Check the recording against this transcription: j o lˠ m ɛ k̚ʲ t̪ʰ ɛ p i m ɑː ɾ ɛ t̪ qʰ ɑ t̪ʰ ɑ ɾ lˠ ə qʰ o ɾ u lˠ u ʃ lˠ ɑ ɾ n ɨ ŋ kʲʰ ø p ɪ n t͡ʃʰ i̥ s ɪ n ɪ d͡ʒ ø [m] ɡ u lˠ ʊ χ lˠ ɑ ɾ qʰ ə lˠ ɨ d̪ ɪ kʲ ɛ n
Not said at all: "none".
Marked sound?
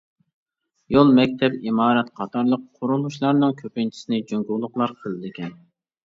ŋ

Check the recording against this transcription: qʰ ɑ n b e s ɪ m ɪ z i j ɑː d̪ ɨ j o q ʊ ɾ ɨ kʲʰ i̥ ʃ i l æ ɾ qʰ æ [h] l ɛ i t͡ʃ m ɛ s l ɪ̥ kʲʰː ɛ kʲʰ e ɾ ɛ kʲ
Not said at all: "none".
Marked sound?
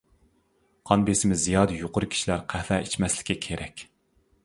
h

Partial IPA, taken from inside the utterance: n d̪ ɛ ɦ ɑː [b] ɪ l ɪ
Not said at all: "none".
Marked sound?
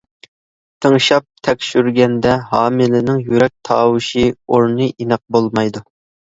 m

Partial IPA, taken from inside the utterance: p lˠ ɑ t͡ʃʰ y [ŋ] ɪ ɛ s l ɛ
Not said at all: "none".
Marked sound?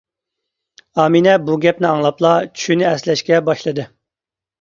n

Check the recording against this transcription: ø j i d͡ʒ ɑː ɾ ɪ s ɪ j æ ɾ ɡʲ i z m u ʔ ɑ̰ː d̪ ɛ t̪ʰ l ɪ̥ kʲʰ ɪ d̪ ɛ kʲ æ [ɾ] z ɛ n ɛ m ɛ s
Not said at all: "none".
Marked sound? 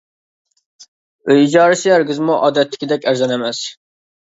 ɾ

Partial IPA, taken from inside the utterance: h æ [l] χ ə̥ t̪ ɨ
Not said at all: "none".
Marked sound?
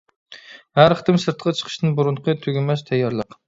ɾ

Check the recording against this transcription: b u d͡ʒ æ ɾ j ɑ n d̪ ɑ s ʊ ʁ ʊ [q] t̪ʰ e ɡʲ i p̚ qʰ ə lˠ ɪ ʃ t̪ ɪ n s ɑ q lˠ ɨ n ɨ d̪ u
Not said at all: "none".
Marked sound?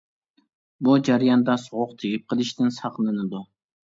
q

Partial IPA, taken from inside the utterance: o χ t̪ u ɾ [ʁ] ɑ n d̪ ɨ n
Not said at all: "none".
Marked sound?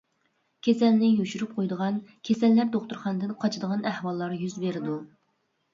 χ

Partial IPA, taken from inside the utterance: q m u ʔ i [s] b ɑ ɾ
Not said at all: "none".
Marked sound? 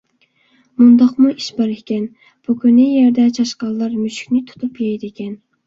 ʃ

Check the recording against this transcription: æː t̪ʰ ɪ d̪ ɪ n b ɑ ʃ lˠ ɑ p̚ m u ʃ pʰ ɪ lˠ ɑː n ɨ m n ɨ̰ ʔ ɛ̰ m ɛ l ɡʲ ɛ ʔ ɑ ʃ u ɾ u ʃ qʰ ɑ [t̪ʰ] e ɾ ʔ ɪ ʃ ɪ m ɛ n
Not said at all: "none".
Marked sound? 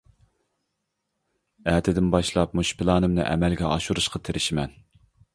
t̪ʰ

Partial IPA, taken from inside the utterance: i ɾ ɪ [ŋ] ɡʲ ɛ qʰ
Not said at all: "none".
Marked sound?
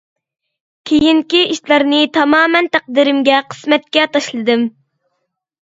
m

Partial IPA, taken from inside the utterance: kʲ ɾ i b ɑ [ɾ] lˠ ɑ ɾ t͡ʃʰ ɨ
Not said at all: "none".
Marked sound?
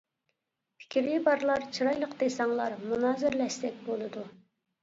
ɾ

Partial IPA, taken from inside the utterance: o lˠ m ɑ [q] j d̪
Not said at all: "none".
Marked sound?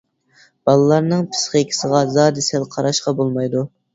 none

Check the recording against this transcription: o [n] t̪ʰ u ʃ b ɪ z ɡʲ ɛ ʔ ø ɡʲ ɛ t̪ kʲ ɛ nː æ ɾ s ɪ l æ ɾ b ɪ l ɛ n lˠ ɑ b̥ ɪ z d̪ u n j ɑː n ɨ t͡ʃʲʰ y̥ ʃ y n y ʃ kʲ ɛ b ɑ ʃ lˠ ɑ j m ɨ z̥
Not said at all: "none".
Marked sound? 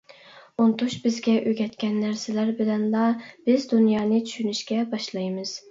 n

